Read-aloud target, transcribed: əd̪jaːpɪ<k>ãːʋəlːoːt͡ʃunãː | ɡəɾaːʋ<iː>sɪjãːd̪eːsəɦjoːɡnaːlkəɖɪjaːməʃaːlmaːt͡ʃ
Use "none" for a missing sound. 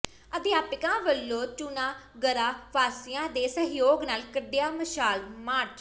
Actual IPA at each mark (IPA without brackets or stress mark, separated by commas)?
k, aː